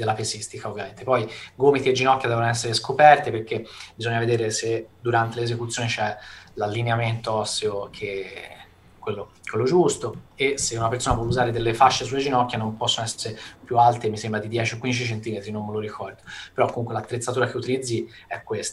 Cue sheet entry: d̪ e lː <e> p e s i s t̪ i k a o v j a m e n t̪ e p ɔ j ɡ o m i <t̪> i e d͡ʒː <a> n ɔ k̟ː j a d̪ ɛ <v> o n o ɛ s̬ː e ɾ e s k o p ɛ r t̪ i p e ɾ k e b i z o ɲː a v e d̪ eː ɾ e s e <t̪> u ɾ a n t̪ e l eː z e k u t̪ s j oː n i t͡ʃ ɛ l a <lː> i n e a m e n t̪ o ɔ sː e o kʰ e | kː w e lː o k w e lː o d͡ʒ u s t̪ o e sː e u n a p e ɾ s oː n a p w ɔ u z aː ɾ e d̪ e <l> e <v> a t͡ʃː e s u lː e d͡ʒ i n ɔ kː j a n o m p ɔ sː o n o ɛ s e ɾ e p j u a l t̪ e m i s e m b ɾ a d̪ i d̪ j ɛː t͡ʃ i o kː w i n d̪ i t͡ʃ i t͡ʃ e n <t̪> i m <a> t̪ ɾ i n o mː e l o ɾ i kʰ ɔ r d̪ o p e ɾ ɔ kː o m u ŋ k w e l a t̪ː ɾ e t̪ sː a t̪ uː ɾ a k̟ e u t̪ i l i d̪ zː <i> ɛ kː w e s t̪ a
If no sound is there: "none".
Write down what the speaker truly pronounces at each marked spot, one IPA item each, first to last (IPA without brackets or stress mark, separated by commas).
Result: a, t̪, i, v, d̪, lː, lː, f, t̪, e, i